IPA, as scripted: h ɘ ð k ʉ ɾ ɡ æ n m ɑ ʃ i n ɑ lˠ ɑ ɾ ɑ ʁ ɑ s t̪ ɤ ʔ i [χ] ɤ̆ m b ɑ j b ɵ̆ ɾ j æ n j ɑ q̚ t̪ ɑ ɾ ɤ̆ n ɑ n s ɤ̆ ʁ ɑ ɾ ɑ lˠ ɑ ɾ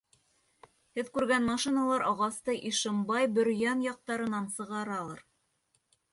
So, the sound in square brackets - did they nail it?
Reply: no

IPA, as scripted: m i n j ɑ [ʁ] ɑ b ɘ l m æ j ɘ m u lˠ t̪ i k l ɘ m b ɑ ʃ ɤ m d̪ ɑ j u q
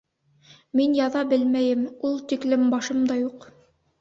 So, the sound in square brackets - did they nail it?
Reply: no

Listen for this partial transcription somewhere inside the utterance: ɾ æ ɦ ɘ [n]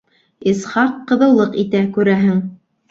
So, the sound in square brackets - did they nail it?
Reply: no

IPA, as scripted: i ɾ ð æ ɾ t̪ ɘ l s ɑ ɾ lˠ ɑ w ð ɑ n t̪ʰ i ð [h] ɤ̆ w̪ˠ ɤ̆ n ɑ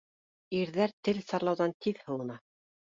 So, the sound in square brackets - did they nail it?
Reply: yes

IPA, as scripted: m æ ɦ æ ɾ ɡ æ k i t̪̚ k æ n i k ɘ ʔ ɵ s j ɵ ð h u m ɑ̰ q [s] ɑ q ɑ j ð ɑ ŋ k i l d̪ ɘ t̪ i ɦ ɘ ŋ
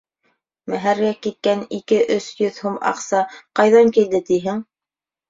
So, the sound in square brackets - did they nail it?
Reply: yes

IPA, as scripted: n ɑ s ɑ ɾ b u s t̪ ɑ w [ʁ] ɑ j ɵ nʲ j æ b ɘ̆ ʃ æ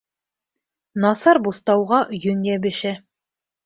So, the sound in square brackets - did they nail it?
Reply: yes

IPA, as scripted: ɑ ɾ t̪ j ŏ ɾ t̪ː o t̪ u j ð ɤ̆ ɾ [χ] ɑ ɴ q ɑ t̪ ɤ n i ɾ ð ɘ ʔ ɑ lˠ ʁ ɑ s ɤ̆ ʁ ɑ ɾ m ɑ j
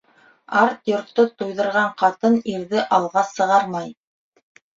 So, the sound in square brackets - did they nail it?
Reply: no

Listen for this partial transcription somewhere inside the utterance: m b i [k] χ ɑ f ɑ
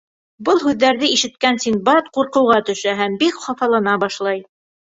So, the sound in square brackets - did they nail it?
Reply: yes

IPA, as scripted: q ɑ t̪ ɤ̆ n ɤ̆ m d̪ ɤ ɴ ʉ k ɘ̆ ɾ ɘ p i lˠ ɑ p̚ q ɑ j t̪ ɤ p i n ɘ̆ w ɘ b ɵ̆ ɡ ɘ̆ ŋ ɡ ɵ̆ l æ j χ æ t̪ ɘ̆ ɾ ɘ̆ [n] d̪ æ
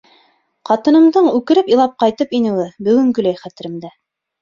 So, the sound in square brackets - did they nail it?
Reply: no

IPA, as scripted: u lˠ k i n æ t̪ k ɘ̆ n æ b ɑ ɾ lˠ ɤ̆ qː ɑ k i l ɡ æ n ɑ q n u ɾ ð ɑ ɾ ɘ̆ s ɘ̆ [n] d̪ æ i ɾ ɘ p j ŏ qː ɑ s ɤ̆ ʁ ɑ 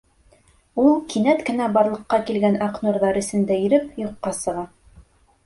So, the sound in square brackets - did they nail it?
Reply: yes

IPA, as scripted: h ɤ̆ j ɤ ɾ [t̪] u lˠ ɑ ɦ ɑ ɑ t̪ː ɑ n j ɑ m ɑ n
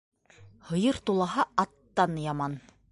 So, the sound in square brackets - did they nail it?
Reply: yes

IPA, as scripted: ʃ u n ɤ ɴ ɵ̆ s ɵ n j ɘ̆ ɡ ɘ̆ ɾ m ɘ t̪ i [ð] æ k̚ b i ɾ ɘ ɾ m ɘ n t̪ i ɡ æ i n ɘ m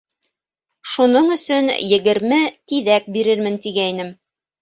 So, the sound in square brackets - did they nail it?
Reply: yes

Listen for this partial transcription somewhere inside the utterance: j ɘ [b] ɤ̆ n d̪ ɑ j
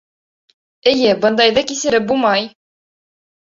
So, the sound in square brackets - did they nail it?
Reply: yes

